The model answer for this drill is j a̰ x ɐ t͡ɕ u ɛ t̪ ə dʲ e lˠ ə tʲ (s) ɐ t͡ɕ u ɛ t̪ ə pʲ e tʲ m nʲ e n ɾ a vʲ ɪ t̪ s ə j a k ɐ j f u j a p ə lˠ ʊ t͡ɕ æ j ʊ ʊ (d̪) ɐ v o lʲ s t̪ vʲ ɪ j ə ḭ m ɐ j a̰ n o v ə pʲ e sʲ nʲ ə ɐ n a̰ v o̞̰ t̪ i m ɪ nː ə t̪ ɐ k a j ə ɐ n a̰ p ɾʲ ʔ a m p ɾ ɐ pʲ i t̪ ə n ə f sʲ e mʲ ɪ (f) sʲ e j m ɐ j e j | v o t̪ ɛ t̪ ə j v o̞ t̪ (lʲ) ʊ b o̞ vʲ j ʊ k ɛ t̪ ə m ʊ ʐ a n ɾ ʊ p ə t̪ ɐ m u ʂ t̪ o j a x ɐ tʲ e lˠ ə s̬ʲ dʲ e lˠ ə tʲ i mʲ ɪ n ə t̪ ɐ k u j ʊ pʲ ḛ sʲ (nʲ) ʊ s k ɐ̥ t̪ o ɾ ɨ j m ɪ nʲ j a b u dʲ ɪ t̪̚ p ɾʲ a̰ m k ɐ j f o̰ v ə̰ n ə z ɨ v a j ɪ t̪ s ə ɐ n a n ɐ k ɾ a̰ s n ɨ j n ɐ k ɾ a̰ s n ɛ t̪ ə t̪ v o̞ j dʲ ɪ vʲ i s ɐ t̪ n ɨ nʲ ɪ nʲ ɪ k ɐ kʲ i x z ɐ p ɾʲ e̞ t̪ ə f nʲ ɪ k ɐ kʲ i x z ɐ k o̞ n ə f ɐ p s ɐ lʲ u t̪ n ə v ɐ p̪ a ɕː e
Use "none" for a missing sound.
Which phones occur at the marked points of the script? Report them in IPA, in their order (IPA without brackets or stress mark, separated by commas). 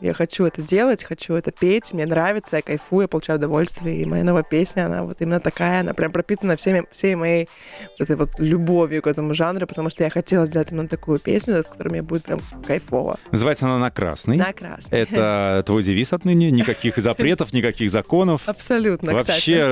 x, d̪, f, lʲ, nʲ